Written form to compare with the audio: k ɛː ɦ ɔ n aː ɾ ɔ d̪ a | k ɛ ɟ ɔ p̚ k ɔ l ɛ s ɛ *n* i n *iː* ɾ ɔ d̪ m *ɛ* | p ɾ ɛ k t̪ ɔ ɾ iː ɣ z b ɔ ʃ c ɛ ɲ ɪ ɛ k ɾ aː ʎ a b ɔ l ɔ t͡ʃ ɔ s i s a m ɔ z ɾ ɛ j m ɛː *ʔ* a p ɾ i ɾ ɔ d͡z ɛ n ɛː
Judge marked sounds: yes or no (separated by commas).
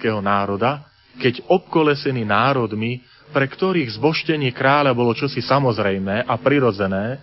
yes, no, no, yes